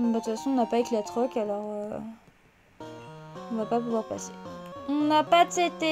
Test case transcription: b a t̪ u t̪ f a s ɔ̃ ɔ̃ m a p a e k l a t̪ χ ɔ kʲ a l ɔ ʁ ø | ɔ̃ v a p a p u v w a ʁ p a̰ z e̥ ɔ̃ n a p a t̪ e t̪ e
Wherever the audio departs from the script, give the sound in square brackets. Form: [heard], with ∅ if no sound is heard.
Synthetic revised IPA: b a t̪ u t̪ f a s ɔ̃ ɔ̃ [n] a p a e k l a t̪ χ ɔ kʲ a l ɔ ʁ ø | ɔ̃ v a p a p u v w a ʁ p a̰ [s] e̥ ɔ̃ n a p a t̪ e t̪ e